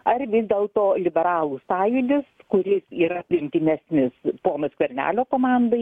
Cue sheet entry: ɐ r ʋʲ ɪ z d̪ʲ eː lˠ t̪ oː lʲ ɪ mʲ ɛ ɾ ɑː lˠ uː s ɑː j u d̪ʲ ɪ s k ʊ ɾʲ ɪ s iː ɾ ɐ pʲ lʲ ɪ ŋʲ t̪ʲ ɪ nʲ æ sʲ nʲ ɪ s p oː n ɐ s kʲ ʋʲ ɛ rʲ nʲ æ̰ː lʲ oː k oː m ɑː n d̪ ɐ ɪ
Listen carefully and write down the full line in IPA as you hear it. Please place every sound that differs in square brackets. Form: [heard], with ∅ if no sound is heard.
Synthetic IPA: ɐ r ʋʲ ɪ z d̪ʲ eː lˠ t̪ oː lʲ ɪ [bʲ] ɛ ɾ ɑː lˠ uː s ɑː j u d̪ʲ ɪ s k ʊ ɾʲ ɪ s iː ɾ ɐ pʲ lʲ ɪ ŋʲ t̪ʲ ɪ nʲ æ sʲ nʲ ɪ s p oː n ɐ s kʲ ʋʲ ɛ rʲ nʲ æ̰ː lʲ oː k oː m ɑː n d̪ ɐ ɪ